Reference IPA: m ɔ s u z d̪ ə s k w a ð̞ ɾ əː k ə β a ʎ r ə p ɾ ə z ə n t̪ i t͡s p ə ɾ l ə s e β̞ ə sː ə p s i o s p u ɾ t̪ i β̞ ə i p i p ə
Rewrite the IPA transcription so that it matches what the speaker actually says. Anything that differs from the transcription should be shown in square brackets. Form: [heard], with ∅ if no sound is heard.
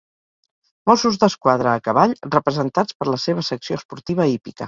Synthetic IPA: m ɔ s u z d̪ ə s k w a ð̞ ɾ əː k ə β a ʎ r ə p ɾ ə z ə n t̪ [a] t͡s p ə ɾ l ə s e β̞ ə [s] ə [k] s i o s p u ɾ t̪ i β̞ ə i p i [k] ə